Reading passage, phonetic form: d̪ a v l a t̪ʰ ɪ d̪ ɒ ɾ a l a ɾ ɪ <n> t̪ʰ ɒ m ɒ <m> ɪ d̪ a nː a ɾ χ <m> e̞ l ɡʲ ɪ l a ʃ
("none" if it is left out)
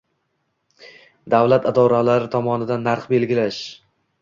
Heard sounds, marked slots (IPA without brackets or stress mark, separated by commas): none, n, b